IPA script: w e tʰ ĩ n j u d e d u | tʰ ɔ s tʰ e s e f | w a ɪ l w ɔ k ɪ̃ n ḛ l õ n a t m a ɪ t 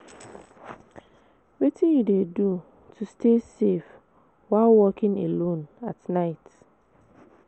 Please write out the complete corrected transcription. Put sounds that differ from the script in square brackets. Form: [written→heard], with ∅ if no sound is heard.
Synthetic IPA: w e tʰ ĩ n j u d e d u | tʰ [ɔ→u] s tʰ e s e f | w a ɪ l w ɔ k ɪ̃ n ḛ l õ n a t [m→n] a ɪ t